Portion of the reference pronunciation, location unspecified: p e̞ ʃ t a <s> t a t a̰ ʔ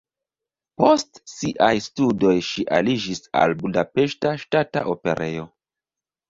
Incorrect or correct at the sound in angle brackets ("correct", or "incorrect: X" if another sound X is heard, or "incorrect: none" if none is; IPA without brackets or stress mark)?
incorrect: ʃ